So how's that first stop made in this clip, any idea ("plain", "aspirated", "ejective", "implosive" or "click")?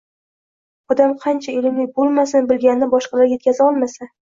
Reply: plain